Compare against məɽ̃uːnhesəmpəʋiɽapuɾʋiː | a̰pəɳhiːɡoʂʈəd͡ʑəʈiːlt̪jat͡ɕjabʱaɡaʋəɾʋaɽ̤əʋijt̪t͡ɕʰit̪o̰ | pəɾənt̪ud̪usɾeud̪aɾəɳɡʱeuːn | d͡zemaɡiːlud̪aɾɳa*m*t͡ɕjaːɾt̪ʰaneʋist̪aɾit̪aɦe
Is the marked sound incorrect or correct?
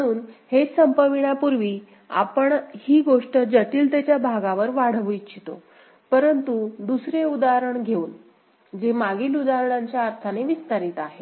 incorrect: ɲ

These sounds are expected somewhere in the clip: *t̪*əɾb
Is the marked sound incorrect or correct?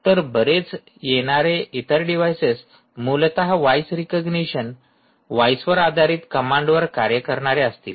correct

